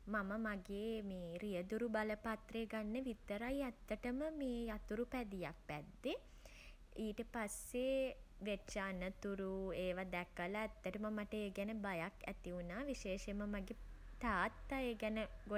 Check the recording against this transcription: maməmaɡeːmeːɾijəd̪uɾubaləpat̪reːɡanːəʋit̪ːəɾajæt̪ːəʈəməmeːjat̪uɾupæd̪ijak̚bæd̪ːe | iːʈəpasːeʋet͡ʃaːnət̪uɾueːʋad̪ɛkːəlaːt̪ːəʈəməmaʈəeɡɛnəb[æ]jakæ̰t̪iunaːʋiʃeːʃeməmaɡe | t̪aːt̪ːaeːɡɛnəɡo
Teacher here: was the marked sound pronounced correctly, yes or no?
no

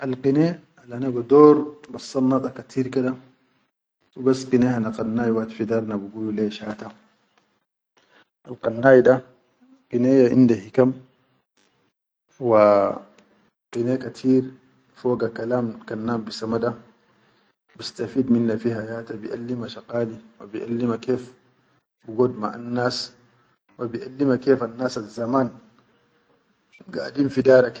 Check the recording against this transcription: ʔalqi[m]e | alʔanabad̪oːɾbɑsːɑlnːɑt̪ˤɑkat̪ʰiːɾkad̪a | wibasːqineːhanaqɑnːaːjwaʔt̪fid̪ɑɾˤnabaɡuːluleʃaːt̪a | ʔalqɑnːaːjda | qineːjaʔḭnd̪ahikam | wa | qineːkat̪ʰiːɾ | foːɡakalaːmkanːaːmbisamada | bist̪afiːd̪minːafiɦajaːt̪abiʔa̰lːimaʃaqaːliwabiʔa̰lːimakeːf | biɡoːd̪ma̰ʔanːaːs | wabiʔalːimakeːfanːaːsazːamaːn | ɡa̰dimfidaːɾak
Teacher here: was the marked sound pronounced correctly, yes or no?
no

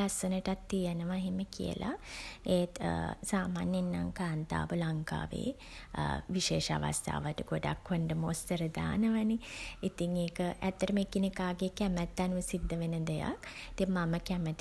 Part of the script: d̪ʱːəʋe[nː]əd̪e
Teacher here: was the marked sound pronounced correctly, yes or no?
no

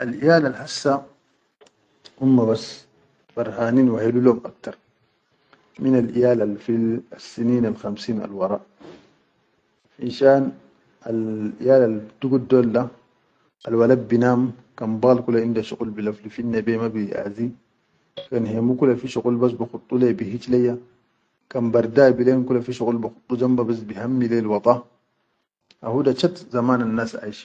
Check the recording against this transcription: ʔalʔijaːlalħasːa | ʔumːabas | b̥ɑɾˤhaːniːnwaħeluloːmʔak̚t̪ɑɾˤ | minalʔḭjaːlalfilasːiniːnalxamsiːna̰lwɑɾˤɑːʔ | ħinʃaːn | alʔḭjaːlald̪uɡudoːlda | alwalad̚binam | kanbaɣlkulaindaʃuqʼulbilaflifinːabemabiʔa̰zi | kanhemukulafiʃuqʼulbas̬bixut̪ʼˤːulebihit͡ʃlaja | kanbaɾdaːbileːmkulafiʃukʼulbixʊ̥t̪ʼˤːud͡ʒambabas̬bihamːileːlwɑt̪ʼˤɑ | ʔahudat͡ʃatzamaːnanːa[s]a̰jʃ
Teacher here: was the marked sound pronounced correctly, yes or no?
yes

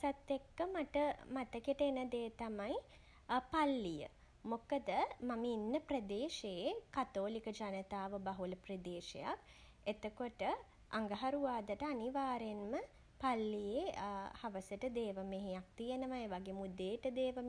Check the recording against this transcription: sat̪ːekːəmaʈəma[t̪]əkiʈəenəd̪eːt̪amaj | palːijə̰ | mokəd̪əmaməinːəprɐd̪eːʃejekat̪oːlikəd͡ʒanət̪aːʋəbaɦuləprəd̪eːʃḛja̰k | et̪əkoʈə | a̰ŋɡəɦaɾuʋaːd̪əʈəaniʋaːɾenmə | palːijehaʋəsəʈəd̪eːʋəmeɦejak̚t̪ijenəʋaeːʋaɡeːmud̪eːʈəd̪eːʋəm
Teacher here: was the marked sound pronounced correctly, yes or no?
yes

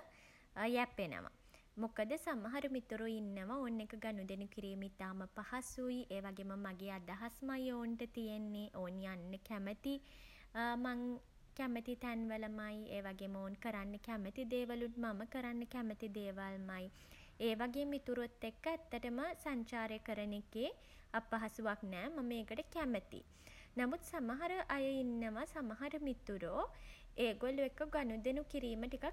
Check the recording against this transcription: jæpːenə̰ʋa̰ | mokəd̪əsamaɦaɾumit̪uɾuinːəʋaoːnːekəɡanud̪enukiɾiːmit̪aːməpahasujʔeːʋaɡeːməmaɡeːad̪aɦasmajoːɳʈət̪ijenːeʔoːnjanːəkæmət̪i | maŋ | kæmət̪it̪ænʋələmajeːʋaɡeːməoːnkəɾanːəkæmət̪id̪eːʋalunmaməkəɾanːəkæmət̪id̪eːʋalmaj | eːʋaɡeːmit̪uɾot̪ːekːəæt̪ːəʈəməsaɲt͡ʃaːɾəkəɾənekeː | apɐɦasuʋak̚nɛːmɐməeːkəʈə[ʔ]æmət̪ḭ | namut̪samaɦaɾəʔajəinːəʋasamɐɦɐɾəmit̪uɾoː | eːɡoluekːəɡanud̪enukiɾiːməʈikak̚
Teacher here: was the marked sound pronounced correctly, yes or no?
no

